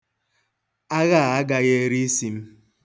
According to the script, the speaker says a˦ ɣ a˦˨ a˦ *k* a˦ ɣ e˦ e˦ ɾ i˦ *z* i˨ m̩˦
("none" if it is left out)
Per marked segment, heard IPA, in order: ɡ, s

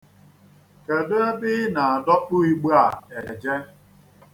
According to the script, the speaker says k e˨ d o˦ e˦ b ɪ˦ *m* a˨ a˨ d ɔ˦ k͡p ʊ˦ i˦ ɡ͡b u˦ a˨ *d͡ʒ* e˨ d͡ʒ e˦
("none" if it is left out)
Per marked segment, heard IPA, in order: n, none

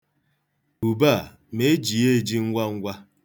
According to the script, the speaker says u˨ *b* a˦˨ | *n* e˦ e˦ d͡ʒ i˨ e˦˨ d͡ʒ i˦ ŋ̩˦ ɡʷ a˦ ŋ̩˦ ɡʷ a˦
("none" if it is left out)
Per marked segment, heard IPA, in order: b, m

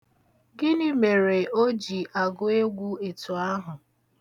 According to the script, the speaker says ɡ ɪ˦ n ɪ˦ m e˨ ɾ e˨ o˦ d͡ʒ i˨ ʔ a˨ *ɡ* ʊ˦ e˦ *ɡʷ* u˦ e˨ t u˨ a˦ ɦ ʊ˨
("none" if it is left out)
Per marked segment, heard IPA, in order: ɡ, ɡʷ

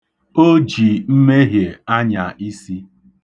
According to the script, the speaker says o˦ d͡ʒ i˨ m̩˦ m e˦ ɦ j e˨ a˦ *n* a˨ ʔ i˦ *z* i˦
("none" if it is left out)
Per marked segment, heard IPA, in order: ɲ, s

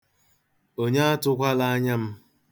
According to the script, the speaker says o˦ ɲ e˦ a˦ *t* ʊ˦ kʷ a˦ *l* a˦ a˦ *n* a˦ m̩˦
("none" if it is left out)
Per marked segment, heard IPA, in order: t, l, ɲ

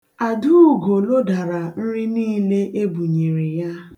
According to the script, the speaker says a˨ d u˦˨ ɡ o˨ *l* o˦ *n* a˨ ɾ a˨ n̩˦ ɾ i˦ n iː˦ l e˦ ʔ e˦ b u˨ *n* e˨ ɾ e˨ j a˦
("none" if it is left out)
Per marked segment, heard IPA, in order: l, d, ɲ

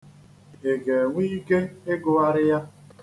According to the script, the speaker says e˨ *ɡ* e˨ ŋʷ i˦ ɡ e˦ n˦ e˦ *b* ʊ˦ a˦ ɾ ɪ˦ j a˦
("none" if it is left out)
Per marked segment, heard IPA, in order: ɡ, ɡ

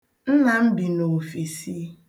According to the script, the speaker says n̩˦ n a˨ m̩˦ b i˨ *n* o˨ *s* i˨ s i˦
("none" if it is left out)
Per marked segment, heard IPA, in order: n, f

